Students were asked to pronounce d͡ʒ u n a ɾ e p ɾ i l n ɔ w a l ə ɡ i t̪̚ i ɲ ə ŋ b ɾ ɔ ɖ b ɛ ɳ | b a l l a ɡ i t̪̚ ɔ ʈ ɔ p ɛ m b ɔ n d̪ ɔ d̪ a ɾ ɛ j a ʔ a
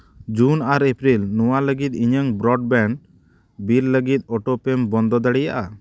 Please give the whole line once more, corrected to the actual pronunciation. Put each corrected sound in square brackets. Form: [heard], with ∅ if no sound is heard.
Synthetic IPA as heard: d͡ʒ u n a ɾ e p ɾ i l n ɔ w a l ə ɡ i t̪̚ i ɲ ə ŋ b ɾ ɔ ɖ b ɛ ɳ | b [i] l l [ə] ɡ i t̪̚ ɔ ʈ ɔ p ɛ m b ɔ n d̪ ɔ d̪ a [ɽ] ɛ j a ʔ a